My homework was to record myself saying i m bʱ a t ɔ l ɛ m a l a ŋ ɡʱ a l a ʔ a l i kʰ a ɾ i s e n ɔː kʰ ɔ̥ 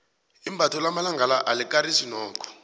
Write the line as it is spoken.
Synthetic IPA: i m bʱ a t ɔ l a m a l a ŋ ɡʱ a l a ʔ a l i k a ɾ i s i n ɔː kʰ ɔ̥